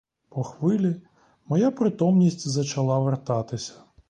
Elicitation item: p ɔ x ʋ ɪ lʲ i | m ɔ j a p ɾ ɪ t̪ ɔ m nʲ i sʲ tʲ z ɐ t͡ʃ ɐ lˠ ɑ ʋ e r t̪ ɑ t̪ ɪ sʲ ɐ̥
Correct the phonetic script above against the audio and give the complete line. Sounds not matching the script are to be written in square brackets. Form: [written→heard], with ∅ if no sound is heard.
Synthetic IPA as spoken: p ɔ x ʋ ɪ lʲ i | m ɔ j a p ɾ ɪ t̪ ɔ m nʲ i sʲ tʲ z ɐ t͡ʃ ɐ lˠ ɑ ʋ e r t̪ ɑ t̪ ɪ sʲ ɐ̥